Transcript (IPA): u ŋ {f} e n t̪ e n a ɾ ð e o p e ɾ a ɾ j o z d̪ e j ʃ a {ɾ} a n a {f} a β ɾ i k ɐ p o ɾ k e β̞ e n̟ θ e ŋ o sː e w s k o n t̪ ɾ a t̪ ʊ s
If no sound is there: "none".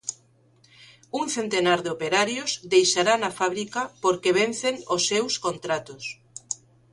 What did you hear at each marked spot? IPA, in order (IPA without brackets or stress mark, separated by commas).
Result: θ, ɾ, f